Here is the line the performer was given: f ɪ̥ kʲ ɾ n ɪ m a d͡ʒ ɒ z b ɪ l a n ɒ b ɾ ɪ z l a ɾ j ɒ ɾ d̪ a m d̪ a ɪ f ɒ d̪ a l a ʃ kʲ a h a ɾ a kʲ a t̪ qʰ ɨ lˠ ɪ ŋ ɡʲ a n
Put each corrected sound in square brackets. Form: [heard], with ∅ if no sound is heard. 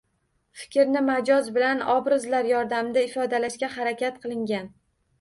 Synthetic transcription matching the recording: f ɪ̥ kʲ ɾ n ɪ m a d͡ʒ ɒ z b ɪ l a n ɒ b ɾ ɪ z l a ɾ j ɒ ɾ d̪ a m d̪ a ɪ f ɒ d̪ a l a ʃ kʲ a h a ɾ a kʲ a t̪ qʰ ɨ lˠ ɪ ŋ ɡʲ a n